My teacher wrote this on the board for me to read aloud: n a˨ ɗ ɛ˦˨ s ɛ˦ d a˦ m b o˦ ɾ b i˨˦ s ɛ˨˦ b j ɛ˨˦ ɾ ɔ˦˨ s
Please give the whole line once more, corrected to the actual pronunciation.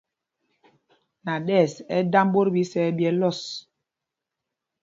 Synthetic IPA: n a˨ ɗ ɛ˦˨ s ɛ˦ d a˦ m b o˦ ɾ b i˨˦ s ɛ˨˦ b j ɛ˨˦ l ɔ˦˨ s